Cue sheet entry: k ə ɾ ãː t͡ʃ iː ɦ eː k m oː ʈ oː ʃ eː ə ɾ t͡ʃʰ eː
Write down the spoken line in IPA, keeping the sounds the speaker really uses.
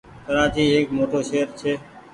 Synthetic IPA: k ə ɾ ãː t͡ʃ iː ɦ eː k m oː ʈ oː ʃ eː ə ɾ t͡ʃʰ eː